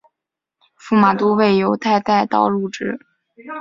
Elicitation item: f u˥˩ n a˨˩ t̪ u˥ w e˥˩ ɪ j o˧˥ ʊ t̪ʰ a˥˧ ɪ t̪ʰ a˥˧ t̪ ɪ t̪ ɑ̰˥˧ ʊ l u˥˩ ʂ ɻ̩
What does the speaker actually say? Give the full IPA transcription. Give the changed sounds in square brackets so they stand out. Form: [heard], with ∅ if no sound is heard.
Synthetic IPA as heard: f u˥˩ [m] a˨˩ t̪ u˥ w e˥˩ ɪ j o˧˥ ʊ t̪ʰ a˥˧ ɪ [t̪] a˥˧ [∅] ɪ t̪ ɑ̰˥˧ ʊ l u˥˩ [ʈ͡ʂ] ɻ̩